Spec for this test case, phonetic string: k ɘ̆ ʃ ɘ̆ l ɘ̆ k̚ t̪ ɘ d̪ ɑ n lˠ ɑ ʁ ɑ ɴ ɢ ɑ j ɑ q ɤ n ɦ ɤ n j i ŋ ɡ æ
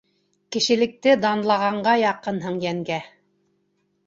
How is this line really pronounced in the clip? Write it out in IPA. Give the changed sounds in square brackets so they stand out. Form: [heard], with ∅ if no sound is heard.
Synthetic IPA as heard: k ɘ̆ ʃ ɘ̆ l ɘ̆ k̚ t̪ ɘ d̪ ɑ n lˠ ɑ ʁ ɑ ɴ ɢ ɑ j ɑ q ɤ n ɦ ɤ [ɴ] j [æ] ŋ ɡ æ